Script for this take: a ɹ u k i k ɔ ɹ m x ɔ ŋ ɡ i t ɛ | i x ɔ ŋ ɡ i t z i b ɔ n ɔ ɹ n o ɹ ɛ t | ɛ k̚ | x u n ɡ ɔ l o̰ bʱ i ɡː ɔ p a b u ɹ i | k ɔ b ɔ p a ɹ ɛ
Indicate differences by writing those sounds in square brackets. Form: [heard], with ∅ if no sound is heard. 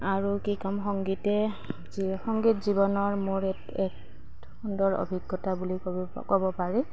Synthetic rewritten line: a ɹ u k i k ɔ [∅] m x ɔ ŋ ɡ i t ɛ | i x ɔ ŋ ɡ i t z i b ɔ n ɔ ɹ [m] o ɹ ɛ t | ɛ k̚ | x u n [d] ɔ [ɹ] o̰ bʱ i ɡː ɔ [t] a b u [l] i | k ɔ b ɔ p a ɹ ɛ